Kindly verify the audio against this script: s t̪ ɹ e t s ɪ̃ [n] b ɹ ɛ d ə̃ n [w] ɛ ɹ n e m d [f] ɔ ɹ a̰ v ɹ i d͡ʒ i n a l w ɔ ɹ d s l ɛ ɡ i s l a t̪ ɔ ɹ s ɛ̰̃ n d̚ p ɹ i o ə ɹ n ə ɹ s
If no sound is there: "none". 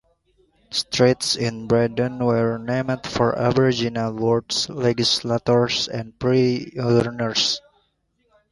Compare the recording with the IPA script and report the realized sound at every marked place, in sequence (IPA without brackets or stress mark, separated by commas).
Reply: n, w, f